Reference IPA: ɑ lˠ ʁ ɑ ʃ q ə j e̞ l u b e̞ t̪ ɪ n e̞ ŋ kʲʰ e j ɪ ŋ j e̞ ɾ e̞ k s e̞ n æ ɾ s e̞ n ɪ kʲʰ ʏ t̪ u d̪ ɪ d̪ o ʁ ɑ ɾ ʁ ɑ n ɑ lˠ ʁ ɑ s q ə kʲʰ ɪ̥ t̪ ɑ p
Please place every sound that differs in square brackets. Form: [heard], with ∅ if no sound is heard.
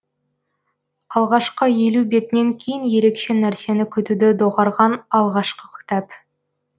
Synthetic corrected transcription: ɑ lˠ ʁ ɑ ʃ q ə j e̞ l u b e̞ t̪ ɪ n e̞ ŋ kʲʰ e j ɪ [n] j e̞ ɾ e̞ k [ʃ] e̞ n æ ɾ s e̞ n ɪ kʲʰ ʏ t̪ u d̪ ɪ d̪ o ʁ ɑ ɾ ʁ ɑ n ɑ lˠ ʁ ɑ [ʃ] q ə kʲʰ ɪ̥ t̪ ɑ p